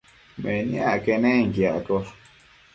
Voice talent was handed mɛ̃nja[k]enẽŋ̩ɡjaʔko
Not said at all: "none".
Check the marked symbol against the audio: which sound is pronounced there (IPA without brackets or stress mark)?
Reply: k